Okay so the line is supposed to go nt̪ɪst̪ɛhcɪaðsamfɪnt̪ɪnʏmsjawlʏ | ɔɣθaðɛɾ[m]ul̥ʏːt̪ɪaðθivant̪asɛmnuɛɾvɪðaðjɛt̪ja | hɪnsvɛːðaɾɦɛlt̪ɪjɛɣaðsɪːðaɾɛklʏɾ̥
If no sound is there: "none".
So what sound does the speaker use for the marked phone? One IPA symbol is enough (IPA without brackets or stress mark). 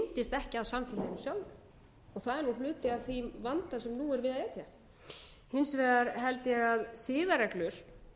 n